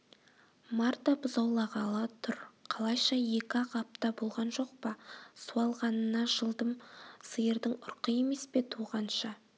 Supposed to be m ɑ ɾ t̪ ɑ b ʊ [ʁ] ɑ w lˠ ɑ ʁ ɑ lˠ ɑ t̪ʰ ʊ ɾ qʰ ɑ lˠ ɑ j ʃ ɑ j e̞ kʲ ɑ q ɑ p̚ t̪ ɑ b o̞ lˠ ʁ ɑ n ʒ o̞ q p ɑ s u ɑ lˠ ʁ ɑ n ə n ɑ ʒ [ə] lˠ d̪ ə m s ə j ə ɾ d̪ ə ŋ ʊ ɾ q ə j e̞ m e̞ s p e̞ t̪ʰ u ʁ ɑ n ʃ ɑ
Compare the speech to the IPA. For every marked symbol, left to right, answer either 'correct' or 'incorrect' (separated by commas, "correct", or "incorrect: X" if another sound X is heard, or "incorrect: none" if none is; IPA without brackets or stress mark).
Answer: incorrect: z, correct